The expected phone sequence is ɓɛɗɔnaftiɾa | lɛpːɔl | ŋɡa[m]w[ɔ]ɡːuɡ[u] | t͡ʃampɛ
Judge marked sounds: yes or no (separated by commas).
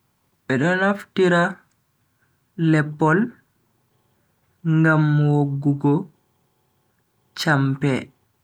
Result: yes, no, no